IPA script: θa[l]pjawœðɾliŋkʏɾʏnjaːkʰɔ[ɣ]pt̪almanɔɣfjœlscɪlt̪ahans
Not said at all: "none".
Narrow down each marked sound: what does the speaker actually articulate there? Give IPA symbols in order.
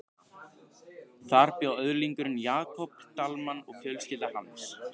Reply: ɾ, none

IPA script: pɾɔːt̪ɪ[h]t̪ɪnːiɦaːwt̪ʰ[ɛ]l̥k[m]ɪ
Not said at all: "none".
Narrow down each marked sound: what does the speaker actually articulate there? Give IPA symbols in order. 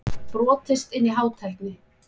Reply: s, ɛ, n

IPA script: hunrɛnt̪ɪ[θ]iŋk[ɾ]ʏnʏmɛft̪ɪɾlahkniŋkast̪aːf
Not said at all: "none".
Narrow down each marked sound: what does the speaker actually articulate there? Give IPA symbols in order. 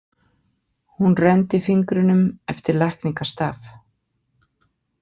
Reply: f, ɾ

